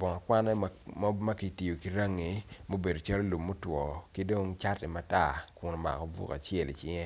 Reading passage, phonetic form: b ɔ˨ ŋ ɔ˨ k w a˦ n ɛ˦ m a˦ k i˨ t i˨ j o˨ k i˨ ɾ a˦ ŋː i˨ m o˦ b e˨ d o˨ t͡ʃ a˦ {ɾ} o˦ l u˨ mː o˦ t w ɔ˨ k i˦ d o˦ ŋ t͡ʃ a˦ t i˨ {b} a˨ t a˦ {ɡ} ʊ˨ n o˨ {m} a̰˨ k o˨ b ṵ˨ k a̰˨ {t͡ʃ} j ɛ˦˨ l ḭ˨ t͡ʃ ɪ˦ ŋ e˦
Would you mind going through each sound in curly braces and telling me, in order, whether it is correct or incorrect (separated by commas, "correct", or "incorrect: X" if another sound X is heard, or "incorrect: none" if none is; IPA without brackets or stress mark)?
incorrect: l, incorrect: m, incorrect: k, correct, correct